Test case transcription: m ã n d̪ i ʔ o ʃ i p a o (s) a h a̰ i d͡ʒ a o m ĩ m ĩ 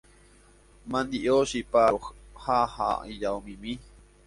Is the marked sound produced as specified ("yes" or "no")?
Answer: no